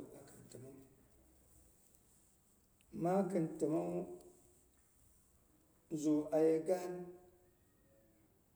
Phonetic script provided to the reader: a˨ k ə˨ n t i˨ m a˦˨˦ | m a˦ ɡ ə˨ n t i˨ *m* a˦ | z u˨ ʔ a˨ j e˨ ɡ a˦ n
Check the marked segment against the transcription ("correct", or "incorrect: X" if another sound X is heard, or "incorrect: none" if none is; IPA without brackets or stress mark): correct